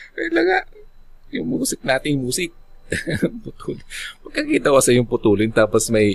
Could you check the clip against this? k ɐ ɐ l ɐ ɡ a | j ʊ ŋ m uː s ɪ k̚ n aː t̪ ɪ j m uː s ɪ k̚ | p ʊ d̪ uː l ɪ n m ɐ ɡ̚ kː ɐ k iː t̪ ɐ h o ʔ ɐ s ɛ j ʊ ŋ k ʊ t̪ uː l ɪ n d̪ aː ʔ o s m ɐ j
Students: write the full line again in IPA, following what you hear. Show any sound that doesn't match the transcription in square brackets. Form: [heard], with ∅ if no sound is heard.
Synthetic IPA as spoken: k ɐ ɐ l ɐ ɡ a | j ʊ ŋ m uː s ɪ k̚ n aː t̪ ɪ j m uː s ɪ k̚ | p ʊ [t̪] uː l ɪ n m ɐ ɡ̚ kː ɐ k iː t̪ ɐ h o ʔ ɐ s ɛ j ʊ ŋ [p] ʊ t̪ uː l ɪ n [t̪] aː [p] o s m ɐ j